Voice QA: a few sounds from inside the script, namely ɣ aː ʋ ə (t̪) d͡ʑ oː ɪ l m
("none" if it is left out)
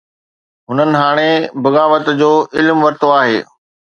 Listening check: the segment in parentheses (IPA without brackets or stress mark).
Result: t̪